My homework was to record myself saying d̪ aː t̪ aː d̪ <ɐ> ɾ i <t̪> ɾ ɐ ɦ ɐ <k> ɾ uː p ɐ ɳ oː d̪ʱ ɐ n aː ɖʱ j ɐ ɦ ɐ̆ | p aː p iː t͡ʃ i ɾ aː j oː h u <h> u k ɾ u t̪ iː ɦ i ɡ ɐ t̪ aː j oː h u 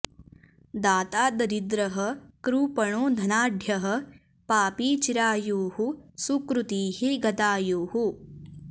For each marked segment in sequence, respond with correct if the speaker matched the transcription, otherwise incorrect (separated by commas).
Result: correct, incorrect, correct, incorrect